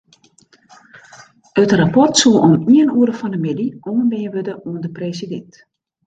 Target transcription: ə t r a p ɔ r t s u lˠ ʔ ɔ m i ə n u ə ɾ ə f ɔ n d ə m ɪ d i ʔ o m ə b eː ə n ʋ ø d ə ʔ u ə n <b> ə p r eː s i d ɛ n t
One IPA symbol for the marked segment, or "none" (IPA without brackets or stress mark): d